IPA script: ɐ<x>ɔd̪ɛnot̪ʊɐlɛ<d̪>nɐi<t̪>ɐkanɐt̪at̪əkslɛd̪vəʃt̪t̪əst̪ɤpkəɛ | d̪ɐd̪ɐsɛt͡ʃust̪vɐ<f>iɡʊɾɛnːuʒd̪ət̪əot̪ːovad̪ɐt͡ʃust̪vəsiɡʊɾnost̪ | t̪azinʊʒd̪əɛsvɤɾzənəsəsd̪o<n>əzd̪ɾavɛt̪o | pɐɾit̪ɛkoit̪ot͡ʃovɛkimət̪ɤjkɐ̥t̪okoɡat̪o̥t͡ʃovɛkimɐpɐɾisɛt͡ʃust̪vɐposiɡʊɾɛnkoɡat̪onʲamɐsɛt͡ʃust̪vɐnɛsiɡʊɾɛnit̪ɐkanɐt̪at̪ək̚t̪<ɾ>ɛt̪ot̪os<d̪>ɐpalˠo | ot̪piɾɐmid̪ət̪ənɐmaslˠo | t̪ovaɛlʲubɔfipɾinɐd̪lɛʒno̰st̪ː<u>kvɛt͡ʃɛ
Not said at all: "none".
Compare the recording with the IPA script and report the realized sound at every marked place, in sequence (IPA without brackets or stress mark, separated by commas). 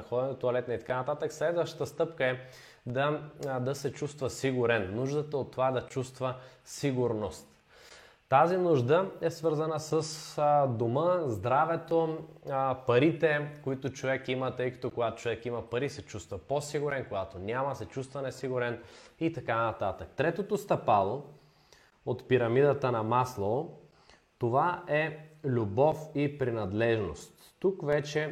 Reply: x, t̪, t̪, s, m, ɾ, t̪, u